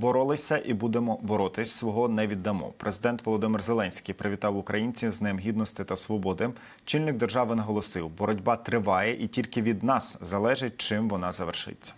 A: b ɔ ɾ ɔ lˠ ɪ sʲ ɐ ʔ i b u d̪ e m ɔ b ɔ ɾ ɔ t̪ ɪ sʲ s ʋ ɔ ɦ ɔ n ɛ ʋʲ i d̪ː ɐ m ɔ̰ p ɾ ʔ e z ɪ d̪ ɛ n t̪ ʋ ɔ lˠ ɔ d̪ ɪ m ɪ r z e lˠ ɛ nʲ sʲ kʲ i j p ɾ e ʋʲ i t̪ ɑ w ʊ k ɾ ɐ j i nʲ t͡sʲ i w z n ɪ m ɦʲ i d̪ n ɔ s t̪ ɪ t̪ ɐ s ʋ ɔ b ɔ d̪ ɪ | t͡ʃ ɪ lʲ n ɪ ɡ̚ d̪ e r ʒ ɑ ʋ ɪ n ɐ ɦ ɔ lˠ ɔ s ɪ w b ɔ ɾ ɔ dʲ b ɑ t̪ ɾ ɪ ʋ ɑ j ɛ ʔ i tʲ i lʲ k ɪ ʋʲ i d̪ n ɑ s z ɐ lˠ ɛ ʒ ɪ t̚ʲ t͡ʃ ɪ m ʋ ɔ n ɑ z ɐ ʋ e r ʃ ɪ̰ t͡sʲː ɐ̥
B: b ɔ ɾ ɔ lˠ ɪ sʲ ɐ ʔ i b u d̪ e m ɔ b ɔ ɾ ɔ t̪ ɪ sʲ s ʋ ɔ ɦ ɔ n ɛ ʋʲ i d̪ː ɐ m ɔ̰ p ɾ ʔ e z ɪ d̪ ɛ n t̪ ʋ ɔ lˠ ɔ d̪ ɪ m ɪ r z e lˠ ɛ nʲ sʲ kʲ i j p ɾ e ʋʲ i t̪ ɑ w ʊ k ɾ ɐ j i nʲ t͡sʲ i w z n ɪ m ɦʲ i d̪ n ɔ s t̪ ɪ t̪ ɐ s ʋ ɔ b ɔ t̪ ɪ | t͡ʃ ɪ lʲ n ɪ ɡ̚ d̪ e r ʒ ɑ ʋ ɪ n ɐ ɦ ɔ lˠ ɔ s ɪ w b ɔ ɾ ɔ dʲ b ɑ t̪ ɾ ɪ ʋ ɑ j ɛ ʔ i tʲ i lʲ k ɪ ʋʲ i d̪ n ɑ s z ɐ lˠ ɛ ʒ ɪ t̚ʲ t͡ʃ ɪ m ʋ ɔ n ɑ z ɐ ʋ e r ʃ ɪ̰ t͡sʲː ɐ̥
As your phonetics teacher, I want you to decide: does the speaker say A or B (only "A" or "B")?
A